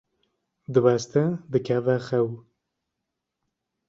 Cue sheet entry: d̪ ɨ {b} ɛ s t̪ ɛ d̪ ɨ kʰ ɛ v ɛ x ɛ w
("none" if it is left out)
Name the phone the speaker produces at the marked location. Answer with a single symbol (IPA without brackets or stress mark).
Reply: w